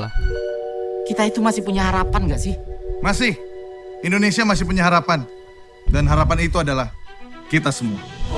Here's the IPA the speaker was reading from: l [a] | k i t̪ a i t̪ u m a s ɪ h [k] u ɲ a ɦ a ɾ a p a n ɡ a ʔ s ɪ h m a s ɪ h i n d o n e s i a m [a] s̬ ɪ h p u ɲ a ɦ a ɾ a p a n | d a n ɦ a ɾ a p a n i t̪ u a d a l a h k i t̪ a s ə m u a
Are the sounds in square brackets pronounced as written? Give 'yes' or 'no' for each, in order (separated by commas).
yes, no, yes